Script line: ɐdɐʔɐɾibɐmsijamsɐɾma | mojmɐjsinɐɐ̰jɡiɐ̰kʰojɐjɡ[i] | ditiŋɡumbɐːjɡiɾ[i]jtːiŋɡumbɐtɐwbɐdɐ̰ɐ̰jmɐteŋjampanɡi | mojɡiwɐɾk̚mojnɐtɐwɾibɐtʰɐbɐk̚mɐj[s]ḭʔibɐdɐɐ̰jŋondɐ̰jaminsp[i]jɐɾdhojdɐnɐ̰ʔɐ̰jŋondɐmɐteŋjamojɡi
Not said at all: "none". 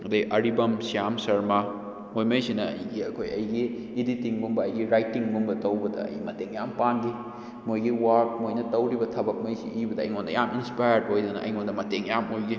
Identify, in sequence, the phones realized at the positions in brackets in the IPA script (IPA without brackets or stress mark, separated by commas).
iː, a, s, a